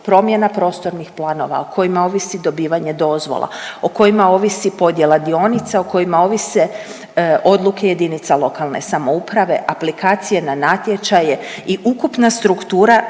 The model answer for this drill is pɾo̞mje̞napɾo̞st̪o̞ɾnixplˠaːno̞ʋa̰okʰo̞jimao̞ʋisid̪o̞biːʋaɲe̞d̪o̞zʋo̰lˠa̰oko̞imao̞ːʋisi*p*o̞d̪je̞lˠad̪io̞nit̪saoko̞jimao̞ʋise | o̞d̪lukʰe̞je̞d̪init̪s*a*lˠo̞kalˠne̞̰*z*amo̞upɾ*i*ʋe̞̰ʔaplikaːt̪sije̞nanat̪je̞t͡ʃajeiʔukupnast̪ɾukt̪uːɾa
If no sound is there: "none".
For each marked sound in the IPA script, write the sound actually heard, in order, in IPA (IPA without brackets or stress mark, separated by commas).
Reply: p, a, s, a